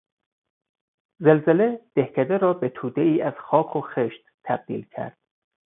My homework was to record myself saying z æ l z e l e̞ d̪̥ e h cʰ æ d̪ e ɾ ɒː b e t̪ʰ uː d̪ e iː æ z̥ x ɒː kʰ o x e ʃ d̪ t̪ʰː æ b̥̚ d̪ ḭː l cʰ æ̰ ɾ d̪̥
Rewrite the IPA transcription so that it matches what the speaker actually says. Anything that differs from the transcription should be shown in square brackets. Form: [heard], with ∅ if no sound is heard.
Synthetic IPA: z [e] l z e l e̞ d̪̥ e h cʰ æ d̪ e ɾ ɒː b e t̪ʰ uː d̪ e iː æ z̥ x ɒː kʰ o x e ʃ [t̪] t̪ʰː æ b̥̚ d̪ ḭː l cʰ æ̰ ɾ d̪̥